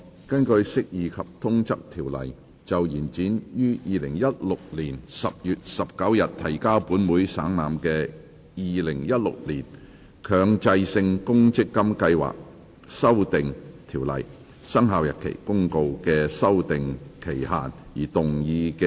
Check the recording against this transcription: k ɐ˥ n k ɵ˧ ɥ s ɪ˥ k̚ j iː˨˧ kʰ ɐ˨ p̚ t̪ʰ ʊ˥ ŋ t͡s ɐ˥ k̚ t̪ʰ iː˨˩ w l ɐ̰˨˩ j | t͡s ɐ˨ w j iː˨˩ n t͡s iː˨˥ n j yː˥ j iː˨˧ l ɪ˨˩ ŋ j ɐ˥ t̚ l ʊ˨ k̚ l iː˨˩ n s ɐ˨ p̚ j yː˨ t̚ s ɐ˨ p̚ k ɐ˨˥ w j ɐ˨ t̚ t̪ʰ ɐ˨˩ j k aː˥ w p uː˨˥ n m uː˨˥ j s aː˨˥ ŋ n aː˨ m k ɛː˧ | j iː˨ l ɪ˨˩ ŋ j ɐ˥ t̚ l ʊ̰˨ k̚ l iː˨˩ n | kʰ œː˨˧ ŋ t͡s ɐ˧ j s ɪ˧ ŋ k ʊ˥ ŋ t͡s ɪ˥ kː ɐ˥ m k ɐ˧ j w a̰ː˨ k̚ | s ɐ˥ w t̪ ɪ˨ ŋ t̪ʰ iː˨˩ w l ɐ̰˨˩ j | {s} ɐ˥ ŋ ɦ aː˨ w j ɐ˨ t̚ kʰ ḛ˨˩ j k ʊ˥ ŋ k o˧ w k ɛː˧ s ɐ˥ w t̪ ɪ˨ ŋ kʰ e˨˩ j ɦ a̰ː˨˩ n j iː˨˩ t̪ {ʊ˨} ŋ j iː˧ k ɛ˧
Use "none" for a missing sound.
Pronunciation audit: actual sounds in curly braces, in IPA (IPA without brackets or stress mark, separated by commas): s, ʊ˨